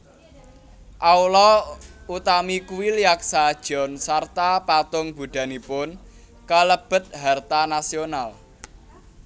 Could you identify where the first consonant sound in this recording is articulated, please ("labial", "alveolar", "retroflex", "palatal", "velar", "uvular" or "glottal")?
glottal